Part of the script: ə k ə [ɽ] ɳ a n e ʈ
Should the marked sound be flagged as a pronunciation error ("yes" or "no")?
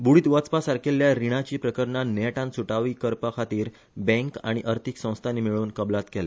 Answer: yes